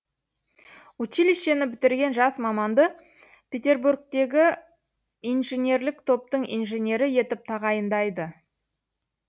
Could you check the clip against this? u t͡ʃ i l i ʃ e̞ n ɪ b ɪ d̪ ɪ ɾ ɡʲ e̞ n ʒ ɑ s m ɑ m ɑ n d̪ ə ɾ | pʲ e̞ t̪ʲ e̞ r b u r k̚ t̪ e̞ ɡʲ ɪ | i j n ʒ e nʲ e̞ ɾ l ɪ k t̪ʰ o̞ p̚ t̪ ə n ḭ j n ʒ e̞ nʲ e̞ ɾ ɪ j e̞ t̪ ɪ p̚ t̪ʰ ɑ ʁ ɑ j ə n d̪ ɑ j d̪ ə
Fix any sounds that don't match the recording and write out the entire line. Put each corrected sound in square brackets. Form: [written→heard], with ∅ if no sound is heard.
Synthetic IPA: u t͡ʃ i l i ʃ e̞ n ɪ b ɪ [d̪→t̪] ɪ ɾ ɡʲ e̞ n ʒ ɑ s m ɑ m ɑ n d̪ ə [ɾ→∅] | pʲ e̞ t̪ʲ e̞ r b u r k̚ t̪ e̞ ɡʲ ɪ | i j n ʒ e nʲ e̞ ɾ l ɪ k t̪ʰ o̞ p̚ t̪ ə [n→ɴ] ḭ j n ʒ e̞ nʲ e̞ ɾ ɪ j e̞ t̪ ɪ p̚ t̪ʰ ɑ ʁ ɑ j ə n d̪ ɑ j d̪ ə